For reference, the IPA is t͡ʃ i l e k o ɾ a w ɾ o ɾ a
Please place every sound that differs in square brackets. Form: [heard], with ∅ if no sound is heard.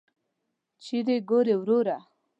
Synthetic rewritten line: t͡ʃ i [ɾ] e [ɡ] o ɾ [e] w ɾ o ɾ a